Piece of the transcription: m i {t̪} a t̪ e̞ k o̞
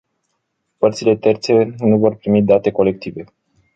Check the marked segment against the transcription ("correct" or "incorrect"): incorrect